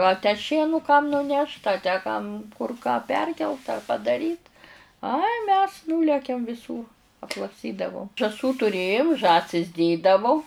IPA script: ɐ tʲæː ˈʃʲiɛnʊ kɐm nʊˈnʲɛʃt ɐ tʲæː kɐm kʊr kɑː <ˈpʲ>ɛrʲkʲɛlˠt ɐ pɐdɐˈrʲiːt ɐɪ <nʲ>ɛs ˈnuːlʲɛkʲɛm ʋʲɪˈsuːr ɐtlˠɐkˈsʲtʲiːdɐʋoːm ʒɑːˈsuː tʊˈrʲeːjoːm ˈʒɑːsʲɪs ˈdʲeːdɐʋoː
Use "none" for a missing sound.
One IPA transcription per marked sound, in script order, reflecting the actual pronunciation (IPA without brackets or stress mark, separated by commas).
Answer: pʲ, mʲ